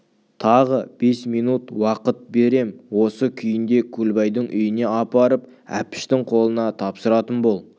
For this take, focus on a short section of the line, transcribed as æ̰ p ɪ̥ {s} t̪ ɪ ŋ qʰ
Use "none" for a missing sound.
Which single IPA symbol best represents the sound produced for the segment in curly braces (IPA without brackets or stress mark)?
ʃ